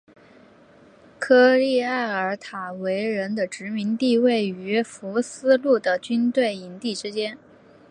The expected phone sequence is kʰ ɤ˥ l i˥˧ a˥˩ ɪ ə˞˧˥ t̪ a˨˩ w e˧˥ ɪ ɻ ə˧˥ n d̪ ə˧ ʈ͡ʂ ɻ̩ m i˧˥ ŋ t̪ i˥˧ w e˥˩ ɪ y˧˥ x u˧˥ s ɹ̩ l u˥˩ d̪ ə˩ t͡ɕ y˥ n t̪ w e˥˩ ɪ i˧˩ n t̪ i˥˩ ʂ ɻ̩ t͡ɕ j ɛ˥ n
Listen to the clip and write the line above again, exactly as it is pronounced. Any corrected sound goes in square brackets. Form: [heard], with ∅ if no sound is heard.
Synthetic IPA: kʰ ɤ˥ l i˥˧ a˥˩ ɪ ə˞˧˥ [t̪ʰ] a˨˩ w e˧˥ ɪ ɻ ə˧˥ n d̪ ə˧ ʈ͡ʂ ɻ̩ m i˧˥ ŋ t̪ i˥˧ w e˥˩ ɪ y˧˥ [f] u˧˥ s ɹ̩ l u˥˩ d̪ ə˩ t͡ɕ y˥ n t̪ w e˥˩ ɪ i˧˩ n t̪ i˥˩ [ʈ͡ʂ] ɻ̩ t͡ɕ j ɛ˥ n